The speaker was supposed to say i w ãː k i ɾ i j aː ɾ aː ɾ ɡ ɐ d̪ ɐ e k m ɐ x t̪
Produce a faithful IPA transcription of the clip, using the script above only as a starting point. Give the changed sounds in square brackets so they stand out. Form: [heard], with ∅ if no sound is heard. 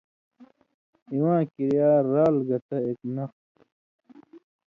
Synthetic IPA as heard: i w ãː k i ɾ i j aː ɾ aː [l] ɡ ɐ [t̪] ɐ e k [n] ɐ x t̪

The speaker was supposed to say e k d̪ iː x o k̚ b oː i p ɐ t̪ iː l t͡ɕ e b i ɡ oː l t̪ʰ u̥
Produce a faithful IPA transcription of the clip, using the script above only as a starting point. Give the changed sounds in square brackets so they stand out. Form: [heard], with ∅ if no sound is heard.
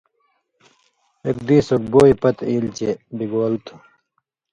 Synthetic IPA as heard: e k d̪ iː [s] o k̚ b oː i p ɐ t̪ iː l t͡ɕ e b i ɡ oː l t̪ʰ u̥

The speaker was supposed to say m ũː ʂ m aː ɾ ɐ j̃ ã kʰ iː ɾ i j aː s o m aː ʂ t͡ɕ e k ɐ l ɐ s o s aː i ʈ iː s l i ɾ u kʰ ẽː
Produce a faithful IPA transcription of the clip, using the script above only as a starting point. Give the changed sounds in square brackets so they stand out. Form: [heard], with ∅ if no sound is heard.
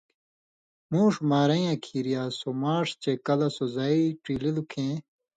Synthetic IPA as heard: m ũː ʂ m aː ɾ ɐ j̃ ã kʰ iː ɾ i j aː s o m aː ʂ t͡ɕ e k ɐ l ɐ s o [z] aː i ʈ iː [∅] l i [l] u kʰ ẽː

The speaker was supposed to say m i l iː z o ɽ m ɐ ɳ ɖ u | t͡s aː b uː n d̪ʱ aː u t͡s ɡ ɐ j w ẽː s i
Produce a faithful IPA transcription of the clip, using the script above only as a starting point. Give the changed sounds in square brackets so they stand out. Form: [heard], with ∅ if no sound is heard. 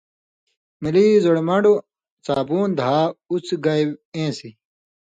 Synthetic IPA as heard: m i l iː z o ɽ m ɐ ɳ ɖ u | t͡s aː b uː n d̪ʱ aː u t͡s ɡ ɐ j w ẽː s i

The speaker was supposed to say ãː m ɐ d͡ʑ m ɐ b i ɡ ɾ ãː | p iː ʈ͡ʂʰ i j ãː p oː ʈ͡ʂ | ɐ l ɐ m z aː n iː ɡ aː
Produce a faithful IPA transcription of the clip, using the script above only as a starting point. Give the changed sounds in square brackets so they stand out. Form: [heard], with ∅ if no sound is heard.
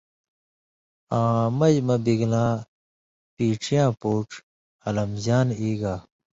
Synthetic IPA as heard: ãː m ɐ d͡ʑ m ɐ b i ɡ [l] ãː | p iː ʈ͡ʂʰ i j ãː p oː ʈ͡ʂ | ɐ l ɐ m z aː n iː ɡ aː

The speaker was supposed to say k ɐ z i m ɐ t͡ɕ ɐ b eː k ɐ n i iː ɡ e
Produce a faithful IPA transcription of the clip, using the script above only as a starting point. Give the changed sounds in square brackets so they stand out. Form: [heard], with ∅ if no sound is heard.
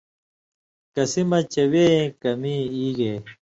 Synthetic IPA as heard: k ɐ [s] i m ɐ t͡ɕ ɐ [w] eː k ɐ [m] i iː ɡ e

